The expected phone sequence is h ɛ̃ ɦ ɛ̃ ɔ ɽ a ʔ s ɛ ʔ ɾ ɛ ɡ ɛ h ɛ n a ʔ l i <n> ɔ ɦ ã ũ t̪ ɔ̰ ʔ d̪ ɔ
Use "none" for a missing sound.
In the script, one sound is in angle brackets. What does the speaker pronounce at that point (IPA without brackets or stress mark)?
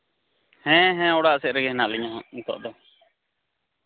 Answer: ɲ